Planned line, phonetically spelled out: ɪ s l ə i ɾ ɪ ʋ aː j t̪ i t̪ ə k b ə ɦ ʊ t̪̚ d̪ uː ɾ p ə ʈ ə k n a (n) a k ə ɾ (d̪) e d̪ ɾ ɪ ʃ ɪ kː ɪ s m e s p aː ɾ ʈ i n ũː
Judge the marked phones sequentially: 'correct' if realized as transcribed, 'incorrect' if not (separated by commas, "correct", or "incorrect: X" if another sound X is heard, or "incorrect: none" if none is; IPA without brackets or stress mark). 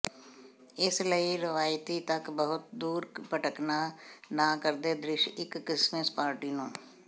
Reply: correct, correct